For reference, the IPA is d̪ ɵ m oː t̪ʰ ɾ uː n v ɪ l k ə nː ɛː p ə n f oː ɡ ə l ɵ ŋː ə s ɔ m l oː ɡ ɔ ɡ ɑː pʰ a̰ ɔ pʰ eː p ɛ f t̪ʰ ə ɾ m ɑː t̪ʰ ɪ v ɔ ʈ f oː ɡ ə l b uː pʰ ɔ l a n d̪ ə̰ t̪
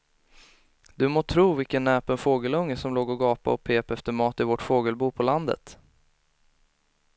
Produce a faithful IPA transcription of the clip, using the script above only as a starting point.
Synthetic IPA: d̪ ɵ m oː t̪ʰ ɾ uː v ɪ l k ə nː ɛː p ə n f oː ɡ ə l ɵ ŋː ə s ɔ m l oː ɡ ɔ ɡ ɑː p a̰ ɔ pʰ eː p ɛ f t̪ ə ɾ m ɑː t̪ ɪ v ɔ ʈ f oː ɡ ə l b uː pʰ ɔ l a n d̪ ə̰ t̪